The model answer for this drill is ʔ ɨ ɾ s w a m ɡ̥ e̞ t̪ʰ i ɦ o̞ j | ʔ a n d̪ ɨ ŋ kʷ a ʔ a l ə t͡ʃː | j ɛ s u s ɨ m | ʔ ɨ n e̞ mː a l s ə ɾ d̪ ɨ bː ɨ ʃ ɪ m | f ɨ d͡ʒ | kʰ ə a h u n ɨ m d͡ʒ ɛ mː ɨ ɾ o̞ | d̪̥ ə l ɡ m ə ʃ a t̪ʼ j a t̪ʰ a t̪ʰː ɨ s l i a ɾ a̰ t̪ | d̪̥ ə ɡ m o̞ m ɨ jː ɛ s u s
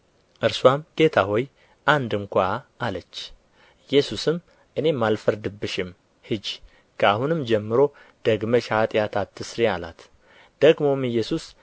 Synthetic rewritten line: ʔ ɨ ɾ s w a m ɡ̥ e̞ t̪ʰ a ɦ o̞ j | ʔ a n d̪ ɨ ŋ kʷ a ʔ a l ə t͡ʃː | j ɛ s u s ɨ m | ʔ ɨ n e̞ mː a l f ə ɾ d̪ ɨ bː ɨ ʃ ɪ m | h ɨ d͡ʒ | kʰ ə a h u n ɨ m d͡ʒ ɛ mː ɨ ɾ o̞ | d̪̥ ə ɡ m ə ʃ a t̪ʼ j a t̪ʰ a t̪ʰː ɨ s ɾ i a l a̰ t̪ | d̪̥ ə ɡ m o̞ m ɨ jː ɛ s u s

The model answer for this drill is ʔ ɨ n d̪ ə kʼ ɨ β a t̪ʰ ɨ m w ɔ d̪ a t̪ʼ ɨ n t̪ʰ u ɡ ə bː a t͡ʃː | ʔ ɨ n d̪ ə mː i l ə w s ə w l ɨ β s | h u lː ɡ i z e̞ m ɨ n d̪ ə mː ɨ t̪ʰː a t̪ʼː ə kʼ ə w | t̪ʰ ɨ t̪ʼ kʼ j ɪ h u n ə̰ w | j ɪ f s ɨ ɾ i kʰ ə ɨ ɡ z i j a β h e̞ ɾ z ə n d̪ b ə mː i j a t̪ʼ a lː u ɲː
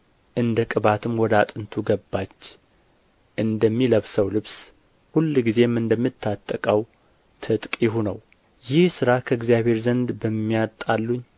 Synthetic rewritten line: ʔ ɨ n d̪ ə kʼ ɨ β a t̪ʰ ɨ m w ɔ d̪ a t̪ʼ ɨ n t̪ʰ u ɡ ə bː a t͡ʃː | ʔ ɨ n d̪ ə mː i l ə β s ə w l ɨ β s | h u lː ɡ i z e̞ m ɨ n d̪ ə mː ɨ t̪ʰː a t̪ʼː ə kʼ ə w | t̪ʰ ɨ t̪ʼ kʼ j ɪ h u n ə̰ w | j ɪ h s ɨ ɾ a kʰ ə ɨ ɡ z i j a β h e̞ ɾ z ə n d̪ b ə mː i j a t̪ʼ a lː u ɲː

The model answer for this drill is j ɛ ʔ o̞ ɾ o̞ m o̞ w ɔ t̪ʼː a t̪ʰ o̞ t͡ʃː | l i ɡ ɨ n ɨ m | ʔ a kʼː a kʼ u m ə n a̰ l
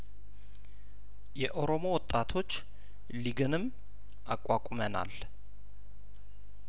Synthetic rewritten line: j ɛ ʔ o̞ ɾ o̞ m o̞ w ɔ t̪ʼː a t̪ʰ o̞ t͡ʃː | l i ɡ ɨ n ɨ m | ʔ a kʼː a kʼ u m ə n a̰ l

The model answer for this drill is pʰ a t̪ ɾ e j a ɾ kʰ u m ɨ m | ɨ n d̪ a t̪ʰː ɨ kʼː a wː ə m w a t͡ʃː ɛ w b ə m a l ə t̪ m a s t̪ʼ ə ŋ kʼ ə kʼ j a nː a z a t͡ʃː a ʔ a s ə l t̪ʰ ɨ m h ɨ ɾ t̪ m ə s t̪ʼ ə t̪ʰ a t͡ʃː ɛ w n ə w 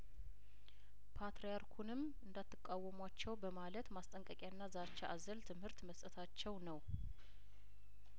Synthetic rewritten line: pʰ a t̪ ɾ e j a ɾ kʰ u n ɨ m | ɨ n d̪ a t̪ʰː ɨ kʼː a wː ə m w a t͡ʃː ɛ w b ə m a l ə t̪ m a s t̪ʼ ə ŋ kʼ ə kʼ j a nː a z a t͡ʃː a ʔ a z ə l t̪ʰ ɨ m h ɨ ɾ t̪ m ə s t̪ʼ ə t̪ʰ a t͡ʃː ɛ w n ə w

